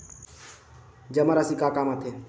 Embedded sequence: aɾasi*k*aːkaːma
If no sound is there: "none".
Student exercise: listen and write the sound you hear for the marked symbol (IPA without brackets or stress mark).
k